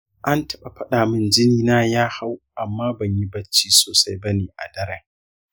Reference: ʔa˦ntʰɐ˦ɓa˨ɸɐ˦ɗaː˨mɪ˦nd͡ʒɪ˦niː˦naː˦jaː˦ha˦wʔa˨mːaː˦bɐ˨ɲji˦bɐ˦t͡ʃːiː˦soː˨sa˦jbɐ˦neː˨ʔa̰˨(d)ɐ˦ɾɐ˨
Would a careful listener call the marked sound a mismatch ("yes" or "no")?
no